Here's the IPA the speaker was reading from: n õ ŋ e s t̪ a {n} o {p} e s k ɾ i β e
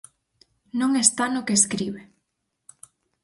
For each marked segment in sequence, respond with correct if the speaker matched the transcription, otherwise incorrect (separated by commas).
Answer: correct, incorrect